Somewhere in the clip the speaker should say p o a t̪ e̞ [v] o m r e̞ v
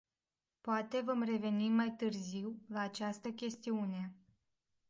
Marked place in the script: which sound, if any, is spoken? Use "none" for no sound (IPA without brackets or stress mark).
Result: v